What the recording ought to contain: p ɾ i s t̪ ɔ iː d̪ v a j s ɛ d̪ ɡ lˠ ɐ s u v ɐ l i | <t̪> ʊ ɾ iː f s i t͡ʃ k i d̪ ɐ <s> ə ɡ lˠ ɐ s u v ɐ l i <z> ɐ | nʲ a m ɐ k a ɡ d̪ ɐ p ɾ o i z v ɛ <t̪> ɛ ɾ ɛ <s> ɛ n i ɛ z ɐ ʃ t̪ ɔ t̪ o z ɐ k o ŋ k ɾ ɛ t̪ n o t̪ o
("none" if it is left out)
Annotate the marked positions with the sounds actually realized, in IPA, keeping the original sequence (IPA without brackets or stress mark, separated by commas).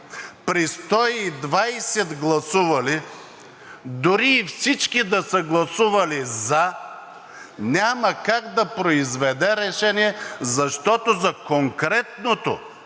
d̪, s, z, d̪, ʃ